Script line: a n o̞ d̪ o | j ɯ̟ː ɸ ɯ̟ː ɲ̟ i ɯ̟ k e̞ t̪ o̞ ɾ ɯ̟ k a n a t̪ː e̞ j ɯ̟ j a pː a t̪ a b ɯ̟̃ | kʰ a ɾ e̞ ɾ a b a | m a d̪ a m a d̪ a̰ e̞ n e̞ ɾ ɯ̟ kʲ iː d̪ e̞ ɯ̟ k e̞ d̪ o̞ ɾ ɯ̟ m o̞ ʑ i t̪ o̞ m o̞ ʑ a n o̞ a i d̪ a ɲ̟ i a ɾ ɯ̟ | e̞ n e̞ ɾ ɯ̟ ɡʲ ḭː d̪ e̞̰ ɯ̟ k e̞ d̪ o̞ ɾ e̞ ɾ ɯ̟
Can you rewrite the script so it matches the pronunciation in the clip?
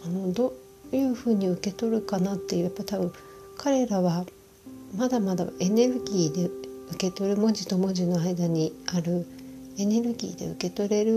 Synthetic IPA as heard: a n o̞ d̪ o | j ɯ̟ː ɸ ɯ̟ː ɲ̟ i ɯ̟ k e̞ t̪ o̞ ɾ ɯ̟ k a n a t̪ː e̞ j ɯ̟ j a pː a t̪ a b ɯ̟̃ | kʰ a ɾ e̞ ɾ a β a | m a d̪ a m a d̪ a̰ e̞ n e̞ ɾ ɯ̟ ɡʲ iː d̪ e̞ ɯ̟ k e̞ t̪ o̞ ɾ ɯ̟ m o̞ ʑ i t̪ o̞ m o̞ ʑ i n o̞ a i d̪ a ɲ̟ i a ɾ ɯ̟ | e̞ n e̞ ɾ ɯ̟ ɡʲ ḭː d̪ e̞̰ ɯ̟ k e̞ t̪ o̞ ɾ e̞ ɾ ɯ̟